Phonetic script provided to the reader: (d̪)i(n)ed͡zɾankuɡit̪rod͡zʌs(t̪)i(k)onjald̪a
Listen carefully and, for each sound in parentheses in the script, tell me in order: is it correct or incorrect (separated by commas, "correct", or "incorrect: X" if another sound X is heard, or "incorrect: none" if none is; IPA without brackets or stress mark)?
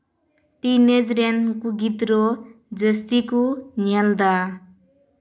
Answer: incorrect: t̪, correct, correct, correct